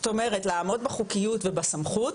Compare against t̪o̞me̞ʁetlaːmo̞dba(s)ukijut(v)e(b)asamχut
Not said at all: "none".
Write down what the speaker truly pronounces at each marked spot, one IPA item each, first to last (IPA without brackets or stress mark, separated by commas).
χ, v, b